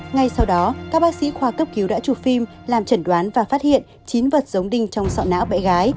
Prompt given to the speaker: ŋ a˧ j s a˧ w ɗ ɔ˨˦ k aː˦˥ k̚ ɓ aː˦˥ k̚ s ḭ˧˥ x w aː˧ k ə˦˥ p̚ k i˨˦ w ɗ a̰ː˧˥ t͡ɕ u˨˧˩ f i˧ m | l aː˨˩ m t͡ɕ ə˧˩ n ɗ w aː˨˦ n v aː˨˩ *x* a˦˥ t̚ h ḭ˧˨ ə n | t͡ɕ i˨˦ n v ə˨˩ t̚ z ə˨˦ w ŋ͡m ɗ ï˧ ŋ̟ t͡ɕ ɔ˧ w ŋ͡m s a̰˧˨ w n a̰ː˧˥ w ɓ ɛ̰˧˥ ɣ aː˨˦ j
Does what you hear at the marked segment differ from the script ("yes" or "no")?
yes